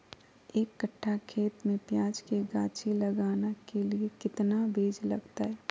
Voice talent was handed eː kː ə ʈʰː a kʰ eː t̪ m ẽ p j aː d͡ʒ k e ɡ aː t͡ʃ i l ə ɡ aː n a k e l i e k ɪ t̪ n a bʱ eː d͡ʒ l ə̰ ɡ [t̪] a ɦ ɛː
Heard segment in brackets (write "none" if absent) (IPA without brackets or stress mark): t̪